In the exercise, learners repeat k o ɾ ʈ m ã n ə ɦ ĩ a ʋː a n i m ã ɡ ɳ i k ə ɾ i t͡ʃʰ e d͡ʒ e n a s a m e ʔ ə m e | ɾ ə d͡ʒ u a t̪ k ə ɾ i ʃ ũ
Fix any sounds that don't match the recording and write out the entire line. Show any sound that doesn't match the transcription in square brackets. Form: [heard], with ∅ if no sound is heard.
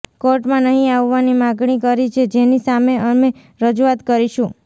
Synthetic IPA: k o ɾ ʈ m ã n ə ɦ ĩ a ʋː a n i m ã ɡ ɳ i k ə ɾ i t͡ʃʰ e d͡ʒ e n [i] s a m e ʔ ə m e | ɾ ə d͡ʒ u a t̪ k ə ɾ i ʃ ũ

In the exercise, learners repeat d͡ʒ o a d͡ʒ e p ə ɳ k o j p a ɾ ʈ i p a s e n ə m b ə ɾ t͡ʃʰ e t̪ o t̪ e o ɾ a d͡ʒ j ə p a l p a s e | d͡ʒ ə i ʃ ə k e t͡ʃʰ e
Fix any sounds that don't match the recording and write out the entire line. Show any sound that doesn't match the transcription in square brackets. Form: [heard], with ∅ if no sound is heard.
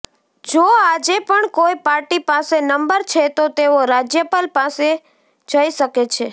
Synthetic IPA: d͡ʒ o a d͡ʒ e p ə ɳ k o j p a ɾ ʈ i p a s e n ə m b ə ɾ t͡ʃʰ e t̪ o t̪ e o ɾ a d͡ʒ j ə p a l p a s e | d͡ʒ ə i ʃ ə k e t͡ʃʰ e

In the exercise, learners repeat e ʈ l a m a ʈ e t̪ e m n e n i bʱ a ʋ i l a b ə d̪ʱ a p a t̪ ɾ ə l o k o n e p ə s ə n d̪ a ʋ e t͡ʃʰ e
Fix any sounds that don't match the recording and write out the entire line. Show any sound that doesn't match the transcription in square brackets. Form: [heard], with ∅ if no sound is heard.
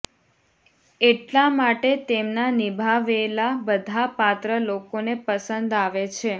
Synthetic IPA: e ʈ l a m a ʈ e t̪ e m n [a] n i bʱ a ʋ [e] l a b ə d̪ʱ a p a t̪ ɾ ə l o k o n e p ə s ə n d̪ a ʋ e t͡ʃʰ e

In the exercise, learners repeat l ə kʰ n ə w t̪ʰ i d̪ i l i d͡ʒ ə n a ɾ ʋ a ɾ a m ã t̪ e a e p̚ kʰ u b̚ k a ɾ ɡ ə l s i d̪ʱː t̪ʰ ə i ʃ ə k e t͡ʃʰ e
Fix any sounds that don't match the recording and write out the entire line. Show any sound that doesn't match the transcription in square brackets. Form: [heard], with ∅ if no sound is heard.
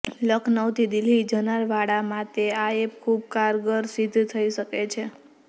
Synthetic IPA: l ə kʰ n ə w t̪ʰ i d̪ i l i d͡ʒ ə n a ɾ ʋ a [ɽ] a m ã t̪ e a e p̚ kʰ u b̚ k a ɾ ɡ ə [ɾ] s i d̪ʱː t̪ʰ ə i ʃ ə k e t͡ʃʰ e

